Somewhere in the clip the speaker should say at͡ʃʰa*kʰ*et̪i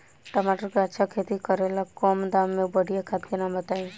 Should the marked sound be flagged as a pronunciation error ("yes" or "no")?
no